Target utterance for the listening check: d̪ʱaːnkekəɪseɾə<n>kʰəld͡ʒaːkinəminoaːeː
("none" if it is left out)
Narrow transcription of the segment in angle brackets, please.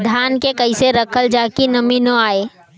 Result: none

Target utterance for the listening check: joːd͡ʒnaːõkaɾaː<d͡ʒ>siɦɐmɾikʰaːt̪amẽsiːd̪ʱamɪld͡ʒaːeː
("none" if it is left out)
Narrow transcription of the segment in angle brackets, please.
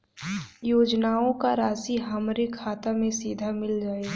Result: none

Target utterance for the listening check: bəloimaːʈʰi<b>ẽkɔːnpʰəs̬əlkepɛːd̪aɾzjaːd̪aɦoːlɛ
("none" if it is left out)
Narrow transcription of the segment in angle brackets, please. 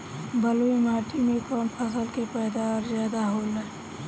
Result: m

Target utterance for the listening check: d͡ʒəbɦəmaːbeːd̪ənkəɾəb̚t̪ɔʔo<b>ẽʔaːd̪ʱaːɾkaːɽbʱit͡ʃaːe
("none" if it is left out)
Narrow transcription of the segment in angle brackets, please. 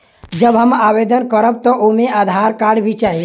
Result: m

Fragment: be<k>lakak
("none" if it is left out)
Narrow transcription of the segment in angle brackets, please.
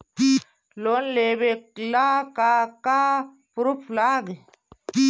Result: k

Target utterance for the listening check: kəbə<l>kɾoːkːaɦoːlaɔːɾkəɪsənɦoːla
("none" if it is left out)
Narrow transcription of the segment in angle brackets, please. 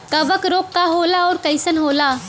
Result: none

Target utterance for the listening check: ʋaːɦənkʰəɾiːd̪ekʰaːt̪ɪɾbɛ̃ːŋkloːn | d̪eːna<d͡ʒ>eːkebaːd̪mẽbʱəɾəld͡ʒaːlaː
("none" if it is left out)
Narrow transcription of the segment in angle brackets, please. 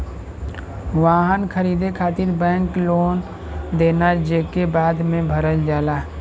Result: d͡ʒ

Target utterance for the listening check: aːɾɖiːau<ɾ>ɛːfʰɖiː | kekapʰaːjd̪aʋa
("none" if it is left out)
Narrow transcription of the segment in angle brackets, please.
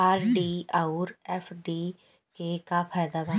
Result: ɾ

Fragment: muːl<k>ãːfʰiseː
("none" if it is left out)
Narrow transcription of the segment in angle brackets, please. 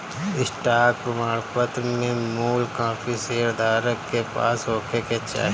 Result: k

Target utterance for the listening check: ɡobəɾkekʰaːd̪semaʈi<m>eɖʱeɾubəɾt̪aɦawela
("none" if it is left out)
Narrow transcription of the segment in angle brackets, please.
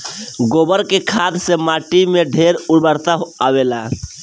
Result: m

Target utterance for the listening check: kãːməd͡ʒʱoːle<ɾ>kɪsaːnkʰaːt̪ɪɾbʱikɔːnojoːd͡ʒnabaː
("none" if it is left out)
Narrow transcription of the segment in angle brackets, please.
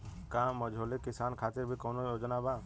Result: none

